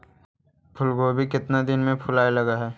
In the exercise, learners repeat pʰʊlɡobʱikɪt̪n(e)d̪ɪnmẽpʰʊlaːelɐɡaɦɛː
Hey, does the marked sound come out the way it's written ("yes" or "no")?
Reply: no